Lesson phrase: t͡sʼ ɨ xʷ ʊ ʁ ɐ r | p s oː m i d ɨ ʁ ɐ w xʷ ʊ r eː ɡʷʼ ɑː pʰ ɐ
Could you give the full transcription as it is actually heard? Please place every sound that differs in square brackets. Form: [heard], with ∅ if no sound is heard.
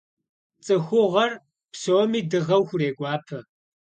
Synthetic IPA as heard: t͡sʼ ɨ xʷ ʊ ʁ ɐ r | p s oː m [iː] d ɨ ʁ ɐ w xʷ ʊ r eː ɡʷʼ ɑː pʰ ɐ